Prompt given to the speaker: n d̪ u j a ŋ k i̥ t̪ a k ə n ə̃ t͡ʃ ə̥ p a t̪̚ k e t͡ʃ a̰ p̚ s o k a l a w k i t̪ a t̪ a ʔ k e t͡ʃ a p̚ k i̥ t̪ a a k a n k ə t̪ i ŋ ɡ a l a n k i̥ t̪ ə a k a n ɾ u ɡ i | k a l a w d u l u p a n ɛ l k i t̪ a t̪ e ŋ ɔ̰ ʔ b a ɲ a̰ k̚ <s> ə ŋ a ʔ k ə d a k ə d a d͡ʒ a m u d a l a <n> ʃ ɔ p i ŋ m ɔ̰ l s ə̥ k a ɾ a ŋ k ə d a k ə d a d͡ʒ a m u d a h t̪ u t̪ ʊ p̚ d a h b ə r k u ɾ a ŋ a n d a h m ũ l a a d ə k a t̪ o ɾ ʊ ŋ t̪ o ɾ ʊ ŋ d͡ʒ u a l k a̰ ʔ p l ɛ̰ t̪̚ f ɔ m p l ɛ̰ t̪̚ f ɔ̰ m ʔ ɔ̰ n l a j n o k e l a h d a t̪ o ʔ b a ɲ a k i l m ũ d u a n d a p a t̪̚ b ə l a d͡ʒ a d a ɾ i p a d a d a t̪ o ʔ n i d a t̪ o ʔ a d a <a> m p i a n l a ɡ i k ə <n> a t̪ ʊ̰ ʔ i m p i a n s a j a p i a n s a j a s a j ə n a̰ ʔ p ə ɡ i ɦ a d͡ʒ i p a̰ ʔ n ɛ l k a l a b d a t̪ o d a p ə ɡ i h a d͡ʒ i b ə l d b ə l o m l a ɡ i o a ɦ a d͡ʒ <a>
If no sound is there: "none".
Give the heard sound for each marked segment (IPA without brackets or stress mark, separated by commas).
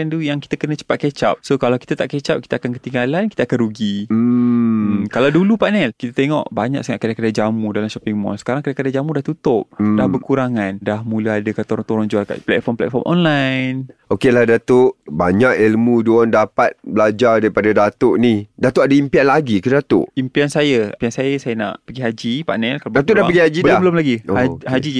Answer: s, m, i, d, i